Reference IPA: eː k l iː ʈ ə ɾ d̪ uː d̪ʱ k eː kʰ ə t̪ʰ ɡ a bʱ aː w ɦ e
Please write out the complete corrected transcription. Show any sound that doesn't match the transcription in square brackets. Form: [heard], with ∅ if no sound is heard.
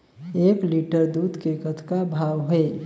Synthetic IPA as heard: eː k l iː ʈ ə ɾ d̪ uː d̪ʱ k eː [k] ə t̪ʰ [k] a bʱ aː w ɦ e